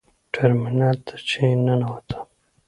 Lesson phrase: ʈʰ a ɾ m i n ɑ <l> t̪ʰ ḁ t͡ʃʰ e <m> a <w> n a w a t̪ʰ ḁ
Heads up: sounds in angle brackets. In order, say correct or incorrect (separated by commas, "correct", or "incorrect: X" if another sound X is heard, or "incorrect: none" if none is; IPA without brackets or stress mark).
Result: correct, incorrect: n, incorrect: none